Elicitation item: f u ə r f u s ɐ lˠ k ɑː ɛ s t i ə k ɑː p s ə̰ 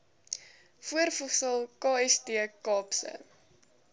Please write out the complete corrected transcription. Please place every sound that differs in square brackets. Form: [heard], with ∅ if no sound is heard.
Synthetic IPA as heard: f u ə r f u s [ə] lˠ k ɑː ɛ s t i ə k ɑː p s ə̰